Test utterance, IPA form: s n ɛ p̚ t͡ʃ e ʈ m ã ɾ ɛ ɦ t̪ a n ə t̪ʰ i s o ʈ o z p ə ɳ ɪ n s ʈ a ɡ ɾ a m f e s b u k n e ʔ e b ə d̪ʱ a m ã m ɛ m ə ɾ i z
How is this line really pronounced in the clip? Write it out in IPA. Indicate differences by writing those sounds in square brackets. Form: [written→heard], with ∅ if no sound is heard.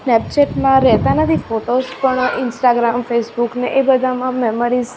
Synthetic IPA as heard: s n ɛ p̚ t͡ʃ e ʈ m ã ɾ ɛ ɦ t̪ a n ə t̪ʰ i [s→f] o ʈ o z p ə ɳ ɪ n s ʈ a ɡ ɾ a m f e s b u k n e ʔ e b ə d̪ʱ a m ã m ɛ m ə ɾ i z